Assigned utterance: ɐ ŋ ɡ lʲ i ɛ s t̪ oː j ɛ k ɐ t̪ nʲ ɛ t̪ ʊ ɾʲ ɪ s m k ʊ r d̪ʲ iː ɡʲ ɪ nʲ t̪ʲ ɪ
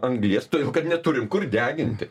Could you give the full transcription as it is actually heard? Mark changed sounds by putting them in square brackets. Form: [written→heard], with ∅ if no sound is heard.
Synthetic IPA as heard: ɐ ŋ ɡ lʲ i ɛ s t̪ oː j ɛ k ɐ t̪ nʲ ɛ t̪ ʊ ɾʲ ɪ [s→∅] m k ʊ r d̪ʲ [iː→æː] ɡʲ ɪ nʲ t̪ʲ ɪ